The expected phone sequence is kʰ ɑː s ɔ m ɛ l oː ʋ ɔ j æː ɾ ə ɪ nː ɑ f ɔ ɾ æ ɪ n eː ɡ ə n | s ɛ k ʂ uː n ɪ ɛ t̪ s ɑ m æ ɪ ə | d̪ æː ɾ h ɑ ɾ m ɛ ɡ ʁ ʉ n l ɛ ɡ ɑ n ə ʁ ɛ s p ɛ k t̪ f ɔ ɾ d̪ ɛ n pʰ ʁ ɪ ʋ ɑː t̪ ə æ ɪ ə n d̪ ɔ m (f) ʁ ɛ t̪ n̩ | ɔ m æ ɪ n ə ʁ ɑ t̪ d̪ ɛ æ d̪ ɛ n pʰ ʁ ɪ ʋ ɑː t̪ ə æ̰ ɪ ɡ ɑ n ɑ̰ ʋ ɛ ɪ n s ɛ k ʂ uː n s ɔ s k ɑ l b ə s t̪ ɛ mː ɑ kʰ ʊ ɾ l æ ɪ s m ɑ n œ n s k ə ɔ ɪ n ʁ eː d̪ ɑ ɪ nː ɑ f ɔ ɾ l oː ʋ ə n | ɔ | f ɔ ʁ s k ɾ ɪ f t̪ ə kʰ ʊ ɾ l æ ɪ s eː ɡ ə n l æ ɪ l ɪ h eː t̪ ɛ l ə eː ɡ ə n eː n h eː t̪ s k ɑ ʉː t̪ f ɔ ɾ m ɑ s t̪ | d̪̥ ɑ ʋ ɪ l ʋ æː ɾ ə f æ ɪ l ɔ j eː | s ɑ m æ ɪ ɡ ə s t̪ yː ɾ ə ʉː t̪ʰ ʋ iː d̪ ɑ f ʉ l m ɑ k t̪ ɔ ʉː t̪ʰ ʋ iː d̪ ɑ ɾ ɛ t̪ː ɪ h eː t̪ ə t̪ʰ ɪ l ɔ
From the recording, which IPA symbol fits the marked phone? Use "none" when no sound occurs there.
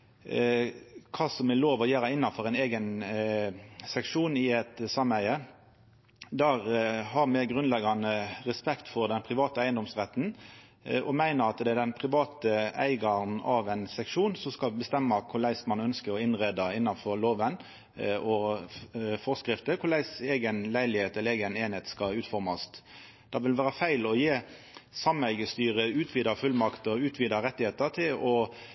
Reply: s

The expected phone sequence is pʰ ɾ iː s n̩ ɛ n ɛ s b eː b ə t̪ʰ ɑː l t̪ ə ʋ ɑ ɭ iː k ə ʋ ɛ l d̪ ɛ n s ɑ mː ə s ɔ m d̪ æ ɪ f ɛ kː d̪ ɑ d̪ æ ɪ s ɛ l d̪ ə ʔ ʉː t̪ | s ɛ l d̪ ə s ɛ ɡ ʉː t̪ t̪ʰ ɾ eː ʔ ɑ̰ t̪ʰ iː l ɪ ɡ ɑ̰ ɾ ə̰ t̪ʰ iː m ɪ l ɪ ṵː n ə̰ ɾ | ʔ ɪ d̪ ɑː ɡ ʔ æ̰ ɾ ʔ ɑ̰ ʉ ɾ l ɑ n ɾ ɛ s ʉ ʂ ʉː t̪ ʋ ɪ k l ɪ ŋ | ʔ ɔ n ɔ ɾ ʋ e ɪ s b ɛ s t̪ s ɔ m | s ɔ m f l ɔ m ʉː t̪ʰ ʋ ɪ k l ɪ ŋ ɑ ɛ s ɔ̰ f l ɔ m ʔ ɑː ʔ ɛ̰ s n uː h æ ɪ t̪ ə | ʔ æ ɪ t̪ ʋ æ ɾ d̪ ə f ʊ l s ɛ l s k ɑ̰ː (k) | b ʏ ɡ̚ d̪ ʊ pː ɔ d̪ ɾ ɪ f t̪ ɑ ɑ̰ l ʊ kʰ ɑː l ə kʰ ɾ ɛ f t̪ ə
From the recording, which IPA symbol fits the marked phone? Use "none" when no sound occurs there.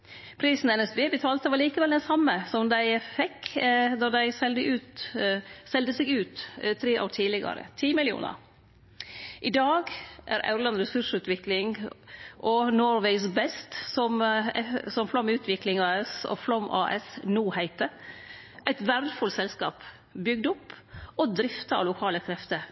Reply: p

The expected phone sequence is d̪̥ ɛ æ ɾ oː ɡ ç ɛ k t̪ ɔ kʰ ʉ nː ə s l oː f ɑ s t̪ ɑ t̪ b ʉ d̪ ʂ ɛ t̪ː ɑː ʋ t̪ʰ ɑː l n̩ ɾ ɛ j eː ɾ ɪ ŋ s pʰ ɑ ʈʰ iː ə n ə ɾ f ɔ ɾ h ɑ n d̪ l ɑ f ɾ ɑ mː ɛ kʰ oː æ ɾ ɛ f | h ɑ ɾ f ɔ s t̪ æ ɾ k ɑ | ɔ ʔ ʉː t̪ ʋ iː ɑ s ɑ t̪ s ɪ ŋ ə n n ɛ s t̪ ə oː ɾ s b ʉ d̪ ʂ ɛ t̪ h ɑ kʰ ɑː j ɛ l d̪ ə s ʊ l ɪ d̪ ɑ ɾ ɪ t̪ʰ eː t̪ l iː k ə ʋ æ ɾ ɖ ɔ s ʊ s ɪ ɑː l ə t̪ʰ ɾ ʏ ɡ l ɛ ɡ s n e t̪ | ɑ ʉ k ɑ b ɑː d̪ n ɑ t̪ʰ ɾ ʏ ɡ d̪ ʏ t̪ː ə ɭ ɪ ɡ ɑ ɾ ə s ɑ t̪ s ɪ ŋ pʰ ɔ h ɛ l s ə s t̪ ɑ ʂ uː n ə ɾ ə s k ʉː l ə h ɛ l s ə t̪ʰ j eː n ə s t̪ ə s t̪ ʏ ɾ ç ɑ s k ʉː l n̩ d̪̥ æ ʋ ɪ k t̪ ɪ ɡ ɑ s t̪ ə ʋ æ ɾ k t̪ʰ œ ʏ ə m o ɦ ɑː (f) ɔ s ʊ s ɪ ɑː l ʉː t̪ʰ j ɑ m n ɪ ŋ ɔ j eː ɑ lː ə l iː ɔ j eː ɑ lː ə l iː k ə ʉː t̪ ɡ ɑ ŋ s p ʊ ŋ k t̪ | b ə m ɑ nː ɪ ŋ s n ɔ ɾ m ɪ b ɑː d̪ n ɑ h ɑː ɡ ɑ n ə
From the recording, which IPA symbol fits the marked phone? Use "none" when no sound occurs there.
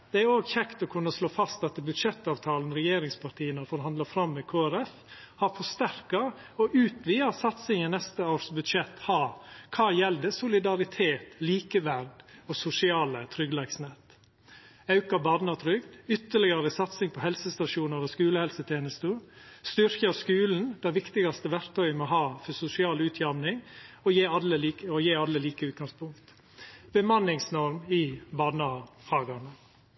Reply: f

